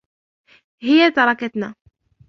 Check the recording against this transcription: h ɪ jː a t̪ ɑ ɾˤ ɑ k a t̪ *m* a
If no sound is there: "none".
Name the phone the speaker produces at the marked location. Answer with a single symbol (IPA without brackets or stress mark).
n